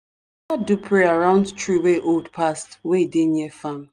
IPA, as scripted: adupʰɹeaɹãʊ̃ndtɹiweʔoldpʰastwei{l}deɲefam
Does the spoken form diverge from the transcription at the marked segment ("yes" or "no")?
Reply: yes